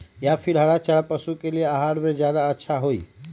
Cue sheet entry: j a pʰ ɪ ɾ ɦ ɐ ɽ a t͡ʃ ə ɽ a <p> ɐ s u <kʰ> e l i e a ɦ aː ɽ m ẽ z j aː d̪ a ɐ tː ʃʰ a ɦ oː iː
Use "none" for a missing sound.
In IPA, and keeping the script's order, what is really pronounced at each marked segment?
p, k

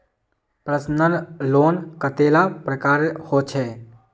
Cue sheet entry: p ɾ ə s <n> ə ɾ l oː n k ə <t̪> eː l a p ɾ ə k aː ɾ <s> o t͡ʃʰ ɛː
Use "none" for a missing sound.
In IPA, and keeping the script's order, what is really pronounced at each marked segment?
n, t̪, h

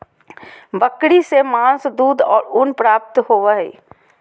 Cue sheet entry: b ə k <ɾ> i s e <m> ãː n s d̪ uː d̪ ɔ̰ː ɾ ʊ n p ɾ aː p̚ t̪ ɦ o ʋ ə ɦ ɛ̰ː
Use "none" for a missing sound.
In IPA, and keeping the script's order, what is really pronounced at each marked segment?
ɽ, m

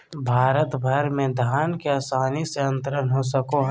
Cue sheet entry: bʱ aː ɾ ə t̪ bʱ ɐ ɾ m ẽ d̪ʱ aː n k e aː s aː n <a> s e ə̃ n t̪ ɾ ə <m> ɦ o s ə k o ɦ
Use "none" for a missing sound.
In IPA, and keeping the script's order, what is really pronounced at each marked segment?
i, n

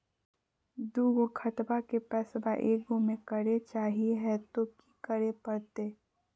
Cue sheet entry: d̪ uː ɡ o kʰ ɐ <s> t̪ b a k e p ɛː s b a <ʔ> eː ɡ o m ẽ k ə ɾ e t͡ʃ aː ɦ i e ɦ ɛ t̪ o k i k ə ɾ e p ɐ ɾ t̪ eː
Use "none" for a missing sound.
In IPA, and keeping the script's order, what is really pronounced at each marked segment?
none, ʔ

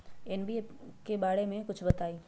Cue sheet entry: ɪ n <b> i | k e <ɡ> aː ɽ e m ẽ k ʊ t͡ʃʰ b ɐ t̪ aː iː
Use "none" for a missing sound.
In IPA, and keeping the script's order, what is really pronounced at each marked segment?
b, b

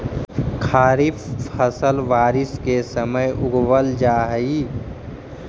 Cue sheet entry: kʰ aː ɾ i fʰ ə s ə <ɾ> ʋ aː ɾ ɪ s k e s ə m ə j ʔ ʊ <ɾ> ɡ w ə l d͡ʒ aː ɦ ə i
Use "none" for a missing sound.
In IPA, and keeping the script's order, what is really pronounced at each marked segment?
l, none

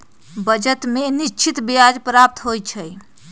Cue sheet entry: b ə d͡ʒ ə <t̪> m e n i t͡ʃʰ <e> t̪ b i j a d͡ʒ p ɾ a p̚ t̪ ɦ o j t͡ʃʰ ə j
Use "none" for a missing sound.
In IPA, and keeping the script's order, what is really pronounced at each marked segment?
t̪, i

